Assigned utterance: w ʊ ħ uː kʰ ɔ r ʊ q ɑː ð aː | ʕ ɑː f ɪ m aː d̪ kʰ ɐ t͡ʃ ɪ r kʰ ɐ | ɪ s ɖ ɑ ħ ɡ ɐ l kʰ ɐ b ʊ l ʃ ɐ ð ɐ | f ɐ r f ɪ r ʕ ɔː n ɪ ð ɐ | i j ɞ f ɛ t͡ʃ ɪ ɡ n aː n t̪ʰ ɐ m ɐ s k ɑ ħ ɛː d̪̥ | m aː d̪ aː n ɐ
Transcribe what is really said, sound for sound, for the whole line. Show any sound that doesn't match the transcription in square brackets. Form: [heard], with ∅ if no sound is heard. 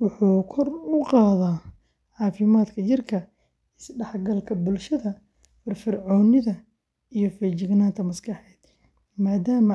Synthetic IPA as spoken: w ʊ ħ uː kʰ ɔ r ʊ q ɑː ð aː | ʕ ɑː f ɪ m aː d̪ kʰ ɐ t͡ʃ ɪ r kʰ ɐ | ɪ s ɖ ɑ ħ ɡ ɐ l kʰ ɐ b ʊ l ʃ ɐ ð ɐ | f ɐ r f ɪ r ʕ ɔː n ɪ ð ɐ | i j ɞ f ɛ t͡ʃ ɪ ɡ n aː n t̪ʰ ɐ m ɐ s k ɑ ħ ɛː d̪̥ | m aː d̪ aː [m] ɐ